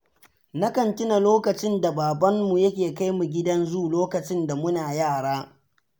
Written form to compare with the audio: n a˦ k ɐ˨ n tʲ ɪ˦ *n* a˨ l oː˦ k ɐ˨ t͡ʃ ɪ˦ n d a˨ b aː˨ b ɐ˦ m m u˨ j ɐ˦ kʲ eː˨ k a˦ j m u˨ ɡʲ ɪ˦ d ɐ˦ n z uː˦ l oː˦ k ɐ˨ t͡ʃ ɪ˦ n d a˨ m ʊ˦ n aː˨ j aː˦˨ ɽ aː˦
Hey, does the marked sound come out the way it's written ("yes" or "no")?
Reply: yes